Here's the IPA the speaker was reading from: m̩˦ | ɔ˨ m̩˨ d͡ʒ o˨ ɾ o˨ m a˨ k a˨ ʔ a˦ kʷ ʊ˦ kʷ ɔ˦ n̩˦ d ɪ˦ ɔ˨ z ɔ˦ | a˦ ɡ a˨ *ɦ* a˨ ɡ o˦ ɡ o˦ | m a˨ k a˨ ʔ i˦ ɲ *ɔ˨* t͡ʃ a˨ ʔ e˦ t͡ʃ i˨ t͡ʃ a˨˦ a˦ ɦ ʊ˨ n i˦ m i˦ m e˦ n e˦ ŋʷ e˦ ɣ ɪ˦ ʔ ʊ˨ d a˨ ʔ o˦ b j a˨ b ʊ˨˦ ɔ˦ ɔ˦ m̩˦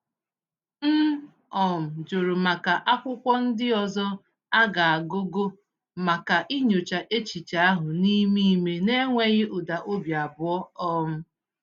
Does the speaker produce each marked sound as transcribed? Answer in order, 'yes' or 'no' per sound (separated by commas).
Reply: no, no